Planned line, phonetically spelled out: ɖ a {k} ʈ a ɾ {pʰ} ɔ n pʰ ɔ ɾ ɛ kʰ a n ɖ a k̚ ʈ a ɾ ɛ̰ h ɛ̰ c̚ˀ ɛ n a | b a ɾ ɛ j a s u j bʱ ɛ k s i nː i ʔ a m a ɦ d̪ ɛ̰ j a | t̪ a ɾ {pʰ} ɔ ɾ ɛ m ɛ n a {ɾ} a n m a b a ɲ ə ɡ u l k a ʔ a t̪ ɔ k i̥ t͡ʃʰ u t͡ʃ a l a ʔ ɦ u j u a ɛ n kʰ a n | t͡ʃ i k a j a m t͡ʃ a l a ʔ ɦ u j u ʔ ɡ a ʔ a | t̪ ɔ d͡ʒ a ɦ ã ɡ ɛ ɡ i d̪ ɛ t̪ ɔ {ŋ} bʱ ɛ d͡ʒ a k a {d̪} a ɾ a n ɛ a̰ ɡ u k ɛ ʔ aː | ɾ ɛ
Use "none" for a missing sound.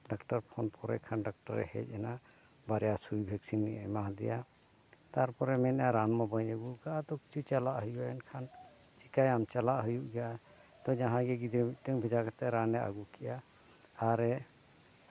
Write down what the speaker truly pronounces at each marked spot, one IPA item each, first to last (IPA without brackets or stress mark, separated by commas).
k, pʰ, p, ɾ, ŋ, t̪